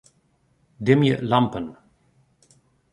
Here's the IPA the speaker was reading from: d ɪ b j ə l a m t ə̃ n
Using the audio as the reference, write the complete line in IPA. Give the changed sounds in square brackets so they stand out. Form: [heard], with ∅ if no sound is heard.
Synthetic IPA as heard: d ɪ [m] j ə l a m [p] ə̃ n

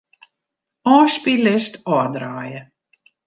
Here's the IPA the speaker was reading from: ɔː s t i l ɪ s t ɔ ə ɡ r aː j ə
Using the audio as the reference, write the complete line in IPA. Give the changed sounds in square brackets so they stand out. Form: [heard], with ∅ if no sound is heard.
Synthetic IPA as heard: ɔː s [p] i l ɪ s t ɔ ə [d] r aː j ə

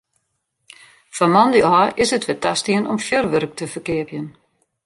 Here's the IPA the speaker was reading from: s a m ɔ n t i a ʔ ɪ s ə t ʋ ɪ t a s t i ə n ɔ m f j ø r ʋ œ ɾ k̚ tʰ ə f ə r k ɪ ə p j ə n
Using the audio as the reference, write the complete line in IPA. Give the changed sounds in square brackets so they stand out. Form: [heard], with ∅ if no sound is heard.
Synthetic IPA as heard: [f] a m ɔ n [d] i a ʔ ɪ s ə t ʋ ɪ t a s t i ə n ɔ m f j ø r ʋ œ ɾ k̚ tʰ ə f ə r k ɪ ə p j ə n

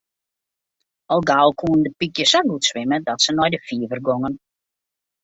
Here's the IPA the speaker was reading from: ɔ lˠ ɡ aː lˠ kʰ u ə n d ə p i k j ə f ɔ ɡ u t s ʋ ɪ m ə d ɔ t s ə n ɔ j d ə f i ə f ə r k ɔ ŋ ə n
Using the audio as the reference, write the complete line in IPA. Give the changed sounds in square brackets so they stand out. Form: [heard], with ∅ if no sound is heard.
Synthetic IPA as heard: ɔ lˠ ɡ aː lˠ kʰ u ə n d ə p i k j ə [s] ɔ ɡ u t s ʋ ɪ m ə d ɔ t s ə n ɔ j d ə f i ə [v] ə r [ɡ] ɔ ŋ ə n

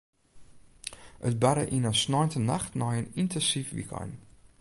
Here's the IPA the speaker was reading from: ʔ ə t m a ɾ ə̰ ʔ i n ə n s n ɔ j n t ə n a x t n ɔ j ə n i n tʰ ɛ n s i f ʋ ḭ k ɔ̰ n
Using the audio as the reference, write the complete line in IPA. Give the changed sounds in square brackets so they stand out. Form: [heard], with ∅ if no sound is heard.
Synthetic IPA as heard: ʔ ə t [b] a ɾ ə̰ ʔ i n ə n s n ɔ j n t ə n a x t n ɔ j ə n i n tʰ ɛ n s i f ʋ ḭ k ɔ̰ n

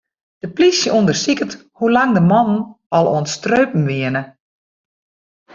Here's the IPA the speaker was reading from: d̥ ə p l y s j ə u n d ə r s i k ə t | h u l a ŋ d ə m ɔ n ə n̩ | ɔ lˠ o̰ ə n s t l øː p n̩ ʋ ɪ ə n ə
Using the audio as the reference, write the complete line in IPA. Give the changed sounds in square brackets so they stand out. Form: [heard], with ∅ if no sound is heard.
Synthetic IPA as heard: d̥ ə p l [i] s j ə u n d ə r s i k ə t | h u l a ŋ d ə m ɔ n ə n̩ | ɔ lˠ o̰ ə n s t [r] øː p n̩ ʋ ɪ ə n ə

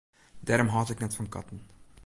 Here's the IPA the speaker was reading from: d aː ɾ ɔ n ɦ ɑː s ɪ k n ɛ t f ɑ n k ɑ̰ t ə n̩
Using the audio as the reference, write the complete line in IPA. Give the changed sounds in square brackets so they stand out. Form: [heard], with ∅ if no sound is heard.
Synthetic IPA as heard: d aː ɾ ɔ [m] ɦ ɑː [t] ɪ k n ɛ t f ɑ n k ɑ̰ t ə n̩

